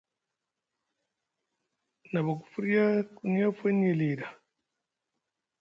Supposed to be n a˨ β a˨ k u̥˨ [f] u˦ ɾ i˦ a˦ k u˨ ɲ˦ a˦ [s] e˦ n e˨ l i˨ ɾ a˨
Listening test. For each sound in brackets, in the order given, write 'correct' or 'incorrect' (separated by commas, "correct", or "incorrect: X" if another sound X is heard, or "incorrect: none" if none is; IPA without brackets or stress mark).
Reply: correct, incorrect: f